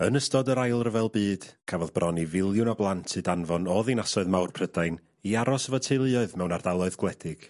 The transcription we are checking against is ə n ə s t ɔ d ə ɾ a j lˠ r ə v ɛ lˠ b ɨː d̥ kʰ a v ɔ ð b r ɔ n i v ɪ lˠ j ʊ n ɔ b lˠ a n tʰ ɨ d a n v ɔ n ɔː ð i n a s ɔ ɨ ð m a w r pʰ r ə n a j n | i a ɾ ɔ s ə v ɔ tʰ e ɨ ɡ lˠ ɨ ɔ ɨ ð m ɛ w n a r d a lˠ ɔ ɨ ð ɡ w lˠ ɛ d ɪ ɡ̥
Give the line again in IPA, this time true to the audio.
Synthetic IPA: ə n ə s t ɔ d ə ɾ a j lˠ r ə v ɛ lˠ b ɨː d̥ kʰ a v ɔ ð b r ɔ n i v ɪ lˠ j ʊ n ɔ b lˠ a n tʰ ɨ d a n v ɔ n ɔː ð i n a s ɔ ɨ ð m a w r pʰ r ə d a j n | i a ɾ ɔ s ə v ɔ tʰ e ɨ lˠ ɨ ɔ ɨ ð m ɛ w n a r d a lˠ ɔ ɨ ð ɡ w lˠ ɛ d ɪ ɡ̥